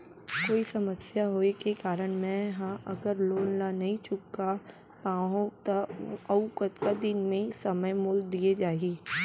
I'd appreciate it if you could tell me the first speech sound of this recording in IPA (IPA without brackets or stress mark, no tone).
k